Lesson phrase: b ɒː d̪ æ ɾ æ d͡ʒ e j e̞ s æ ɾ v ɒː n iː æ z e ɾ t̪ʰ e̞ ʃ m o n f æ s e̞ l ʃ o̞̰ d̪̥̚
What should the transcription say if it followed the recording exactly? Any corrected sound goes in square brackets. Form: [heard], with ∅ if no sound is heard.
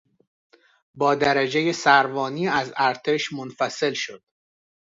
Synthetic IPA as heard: b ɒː d̪ æ ɾ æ d͡ʒ e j e̞ s æ ɾ v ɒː n iː æ z [æ] ɾ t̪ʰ e̞ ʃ m o n f æ s e̞ l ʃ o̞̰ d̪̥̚